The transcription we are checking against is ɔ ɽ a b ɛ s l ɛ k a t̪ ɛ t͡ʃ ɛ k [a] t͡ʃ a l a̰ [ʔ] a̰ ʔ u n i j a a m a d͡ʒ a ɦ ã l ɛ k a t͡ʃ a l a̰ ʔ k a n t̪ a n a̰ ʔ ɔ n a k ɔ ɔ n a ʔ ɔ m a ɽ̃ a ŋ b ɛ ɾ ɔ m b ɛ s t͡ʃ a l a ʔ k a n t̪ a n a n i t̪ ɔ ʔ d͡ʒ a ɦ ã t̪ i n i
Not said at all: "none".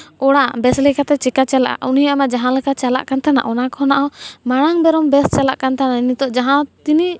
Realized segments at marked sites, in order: a, ʔ

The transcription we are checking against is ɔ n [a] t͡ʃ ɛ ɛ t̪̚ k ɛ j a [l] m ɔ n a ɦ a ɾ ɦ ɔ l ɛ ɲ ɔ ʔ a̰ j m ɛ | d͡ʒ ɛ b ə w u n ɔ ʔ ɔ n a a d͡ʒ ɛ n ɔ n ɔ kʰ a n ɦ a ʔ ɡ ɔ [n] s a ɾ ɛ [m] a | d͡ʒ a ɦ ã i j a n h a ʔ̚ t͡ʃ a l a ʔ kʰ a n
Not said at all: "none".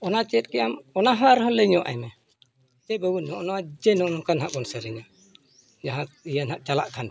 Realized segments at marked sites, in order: a, none, n, ɲ

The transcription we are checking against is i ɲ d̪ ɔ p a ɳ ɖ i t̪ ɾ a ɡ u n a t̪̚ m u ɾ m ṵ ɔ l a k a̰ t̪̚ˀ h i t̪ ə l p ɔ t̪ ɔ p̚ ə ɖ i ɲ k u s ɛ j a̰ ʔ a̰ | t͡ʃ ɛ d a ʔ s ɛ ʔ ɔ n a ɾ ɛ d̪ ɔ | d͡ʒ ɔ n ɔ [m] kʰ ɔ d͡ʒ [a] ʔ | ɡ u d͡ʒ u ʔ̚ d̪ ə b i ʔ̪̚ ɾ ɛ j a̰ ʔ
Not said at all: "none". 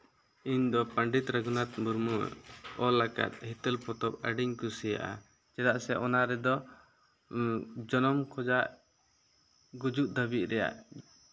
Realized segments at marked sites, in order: m, a

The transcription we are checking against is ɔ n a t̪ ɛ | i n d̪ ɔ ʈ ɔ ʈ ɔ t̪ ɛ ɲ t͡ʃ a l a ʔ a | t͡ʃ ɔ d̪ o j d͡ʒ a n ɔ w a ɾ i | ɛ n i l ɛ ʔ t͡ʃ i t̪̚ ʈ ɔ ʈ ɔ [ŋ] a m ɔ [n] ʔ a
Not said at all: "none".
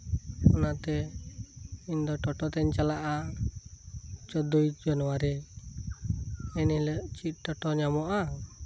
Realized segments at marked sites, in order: ɲ, none

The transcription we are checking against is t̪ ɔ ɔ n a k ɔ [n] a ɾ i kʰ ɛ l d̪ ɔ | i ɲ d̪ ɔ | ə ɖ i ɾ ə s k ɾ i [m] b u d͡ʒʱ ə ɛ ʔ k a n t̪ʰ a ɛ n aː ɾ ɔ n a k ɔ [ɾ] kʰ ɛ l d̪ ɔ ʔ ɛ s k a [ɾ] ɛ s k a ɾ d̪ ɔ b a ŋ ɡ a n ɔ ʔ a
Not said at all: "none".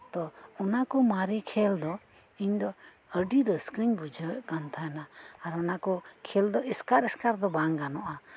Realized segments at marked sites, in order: m, ɲ, none, ɾ

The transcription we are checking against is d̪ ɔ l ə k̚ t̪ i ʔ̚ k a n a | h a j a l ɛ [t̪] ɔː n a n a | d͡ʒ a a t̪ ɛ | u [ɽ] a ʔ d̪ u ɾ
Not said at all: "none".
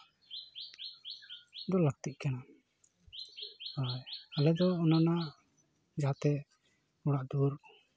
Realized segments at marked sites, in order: d̪, ɽ

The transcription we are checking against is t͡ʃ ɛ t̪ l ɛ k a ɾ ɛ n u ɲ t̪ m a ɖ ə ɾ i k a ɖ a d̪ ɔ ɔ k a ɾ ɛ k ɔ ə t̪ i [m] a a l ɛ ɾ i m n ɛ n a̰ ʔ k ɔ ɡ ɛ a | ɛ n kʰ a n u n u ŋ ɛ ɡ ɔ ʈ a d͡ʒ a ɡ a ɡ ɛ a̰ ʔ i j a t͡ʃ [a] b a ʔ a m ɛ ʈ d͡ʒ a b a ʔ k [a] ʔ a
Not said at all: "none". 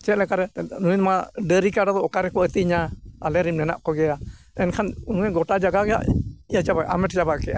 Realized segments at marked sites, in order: ɲ, a, ɛ

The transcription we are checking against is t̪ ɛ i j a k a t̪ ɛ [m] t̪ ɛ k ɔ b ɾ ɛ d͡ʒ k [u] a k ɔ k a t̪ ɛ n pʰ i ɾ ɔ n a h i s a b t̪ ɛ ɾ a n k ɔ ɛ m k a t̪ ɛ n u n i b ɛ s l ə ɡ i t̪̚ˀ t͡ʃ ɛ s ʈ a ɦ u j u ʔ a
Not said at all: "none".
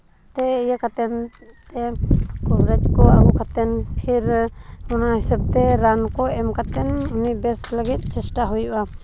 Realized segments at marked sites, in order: n, ɔ

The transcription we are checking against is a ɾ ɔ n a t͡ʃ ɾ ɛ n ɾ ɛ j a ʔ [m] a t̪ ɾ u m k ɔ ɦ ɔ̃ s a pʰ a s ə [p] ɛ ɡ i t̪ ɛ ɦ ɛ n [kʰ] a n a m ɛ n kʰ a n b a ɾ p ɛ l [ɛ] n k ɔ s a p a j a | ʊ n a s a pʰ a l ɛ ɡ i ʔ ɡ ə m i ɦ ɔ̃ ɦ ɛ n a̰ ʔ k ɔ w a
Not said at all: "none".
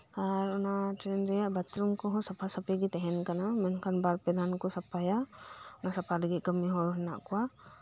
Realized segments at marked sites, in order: b, p, k, a

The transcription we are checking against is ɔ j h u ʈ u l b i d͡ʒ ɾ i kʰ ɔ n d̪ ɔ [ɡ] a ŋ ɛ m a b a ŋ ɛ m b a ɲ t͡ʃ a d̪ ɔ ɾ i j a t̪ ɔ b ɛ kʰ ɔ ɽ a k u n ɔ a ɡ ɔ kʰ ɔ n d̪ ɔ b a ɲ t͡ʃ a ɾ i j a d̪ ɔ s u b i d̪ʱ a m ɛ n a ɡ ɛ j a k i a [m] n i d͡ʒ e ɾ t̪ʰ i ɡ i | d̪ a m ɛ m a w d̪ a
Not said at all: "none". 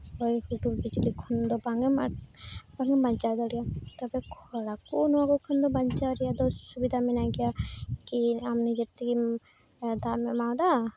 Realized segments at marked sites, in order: b, m

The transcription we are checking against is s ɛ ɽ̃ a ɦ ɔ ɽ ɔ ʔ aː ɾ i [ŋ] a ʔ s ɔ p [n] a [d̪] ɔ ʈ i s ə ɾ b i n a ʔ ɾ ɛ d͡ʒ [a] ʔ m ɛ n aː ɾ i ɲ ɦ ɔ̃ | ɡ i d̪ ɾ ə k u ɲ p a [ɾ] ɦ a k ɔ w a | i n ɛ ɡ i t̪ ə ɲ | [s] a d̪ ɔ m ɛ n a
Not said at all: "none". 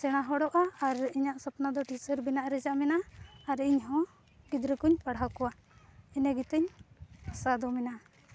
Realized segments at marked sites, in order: ɲ, n, d̪, a, ɽ, s

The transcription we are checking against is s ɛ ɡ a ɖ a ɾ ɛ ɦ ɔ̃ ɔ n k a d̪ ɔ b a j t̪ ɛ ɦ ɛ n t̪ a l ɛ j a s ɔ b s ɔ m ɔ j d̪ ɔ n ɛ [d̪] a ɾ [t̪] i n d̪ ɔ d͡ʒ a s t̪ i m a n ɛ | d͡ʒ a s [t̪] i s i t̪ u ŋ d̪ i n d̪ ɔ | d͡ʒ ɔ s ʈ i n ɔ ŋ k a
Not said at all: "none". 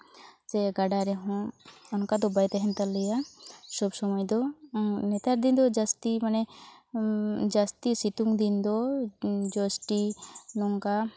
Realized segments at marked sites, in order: t̪, d̪, t̪

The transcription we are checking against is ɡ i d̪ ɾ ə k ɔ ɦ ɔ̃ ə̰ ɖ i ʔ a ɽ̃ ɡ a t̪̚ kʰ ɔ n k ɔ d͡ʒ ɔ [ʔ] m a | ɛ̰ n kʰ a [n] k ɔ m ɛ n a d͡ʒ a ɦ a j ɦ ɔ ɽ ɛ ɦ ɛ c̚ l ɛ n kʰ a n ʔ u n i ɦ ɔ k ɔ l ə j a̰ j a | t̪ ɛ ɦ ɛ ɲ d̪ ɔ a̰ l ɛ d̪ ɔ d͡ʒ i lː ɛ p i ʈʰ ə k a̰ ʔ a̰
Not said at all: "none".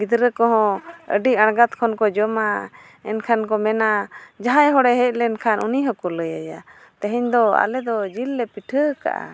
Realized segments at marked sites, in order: none, n

